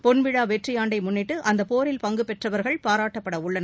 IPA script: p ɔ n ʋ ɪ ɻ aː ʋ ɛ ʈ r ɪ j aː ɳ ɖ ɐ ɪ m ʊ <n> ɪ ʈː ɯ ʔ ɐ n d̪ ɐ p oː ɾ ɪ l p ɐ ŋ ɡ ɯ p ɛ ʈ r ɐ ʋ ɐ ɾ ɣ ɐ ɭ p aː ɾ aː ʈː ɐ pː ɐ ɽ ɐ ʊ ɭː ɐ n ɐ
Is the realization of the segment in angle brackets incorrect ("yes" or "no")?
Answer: yes